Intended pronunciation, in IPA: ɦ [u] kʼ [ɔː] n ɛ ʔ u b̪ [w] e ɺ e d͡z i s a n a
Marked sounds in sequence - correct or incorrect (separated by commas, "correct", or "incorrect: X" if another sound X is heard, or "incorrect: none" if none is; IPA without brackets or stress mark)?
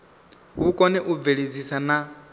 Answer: correct, incorrect: ɔ, incorrect: v